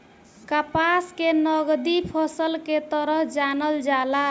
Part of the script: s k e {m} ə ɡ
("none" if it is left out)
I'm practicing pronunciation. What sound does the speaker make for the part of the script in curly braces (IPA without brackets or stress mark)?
n